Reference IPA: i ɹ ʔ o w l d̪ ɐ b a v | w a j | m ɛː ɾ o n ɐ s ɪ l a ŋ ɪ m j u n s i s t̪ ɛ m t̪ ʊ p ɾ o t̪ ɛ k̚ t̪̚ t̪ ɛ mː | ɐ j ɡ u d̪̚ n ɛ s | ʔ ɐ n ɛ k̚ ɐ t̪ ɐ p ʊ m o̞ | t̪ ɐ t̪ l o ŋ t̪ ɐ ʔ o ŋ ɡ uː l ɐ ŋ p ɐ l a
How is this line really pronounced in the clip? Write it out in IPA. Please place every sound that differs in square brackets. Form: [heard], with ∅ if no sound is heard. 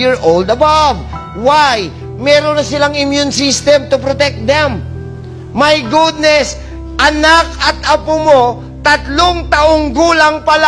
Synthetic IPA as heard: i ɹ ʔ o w l d̪ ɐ b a v | w a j | m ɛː ɾ o n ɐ s ɪ l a ŋ ɪ m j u n s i s t̪ ɛ m t̪ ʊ p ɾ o t̪ ɛ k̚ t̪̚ [d̪] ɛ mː | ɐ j ɡ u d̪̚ n ɛ s | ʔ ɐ n [a] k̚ ɐ t̪ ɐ p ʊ m o̞ | t̪ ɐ t̪ l o ŋ t̪ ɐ ʔ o ŋ ɡ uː l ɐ ŋ p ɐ l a